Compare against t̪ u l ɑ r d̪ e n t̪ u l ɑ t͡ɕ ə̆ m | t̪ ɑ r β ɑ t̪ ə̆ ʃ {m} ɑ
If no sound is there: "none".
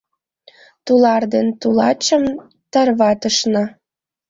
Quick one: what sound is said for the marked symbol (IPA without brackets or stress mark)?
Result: n